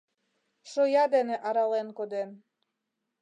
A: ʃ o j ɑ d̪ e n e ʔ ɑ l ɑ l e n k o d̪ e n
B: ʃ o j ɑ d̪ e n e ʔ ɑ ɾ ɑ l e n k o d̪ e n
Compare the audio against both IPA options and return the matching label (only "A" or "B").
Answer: B